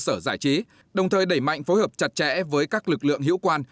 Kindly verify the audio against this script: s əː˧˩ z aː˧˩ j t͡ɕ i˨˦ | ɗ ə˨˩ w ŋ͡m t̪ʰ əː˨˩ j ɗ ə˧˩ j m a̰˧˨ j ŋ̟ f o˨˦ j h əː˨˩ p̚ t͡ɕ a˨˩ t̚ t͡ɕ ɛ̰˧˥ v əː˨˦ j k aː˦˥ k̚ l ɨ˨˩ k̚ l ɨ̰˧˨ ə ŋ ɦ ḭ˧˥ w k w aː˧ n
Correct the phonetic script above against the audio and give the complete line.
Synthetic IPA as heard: s əː˧˩ z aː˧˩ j t͡ɕ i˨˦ | ɗ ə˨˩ w ŋ͡m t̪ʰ əː˨˩ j ɗ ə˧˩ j m a̰˧˨ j ŋ̟ f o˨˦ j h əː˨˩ p̚ t͡ɕ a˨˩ t̚ t͡ɕ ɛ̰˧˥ v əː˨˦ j k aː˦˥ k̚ l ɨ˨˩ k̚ l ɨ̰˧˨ ə ŋ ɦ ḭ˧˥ w k w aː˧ n